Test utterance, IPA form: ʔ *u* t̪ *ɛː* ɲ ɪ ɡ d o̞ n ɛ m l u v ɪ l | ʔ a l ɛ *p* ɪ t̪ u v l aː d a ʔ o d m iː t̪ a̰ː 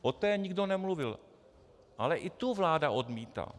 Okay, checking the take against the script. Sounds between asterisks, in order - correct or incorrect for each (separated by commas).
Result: incorrect, correct, incorrect